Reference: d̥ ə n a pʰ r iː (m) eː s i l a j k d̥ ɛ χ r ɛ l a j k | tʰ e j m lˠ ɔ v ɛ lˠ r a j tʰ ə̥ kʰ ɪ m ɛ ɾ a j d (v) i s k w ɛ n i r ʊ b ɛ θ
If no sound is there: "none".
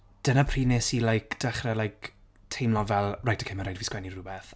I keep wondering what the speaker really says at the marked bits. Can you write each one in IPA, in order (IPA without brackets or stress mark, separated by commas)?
n, v